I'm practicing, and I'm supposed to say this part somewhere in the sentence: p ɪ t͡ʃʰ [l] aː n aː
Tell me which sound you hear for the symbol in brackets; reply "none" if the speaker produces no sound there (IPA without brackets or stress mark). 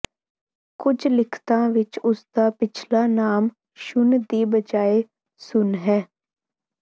l